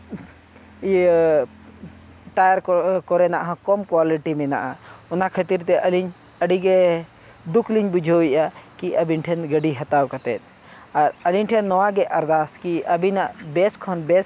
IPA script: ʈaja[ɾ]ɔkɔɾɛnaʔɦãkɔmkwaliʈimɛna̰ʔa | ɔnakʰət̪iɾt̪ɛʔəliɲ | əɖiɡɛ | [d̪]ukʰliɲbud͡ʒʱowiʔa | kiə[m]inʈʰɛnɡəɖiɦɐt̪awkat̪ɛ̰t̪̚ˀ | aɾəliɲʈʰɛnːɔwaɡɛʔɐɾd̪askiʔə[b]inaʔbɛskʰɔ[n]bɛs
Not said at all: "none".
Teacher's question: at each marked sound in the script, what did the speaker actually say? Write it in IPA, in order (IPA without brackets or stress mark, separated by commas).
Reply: ɾ, d̪, b, b, n